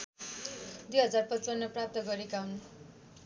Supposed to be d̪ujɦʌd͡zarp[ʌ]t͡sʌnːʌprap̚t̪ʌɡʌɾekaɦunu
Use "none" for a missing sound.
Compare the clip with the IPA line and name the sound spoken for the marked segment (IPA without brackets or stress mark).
ʌ